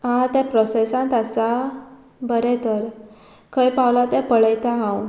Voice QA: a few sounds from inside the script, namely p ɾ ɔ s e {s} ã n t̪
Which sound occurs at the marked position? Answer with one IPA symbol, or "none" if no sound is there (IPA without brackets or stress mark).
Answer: s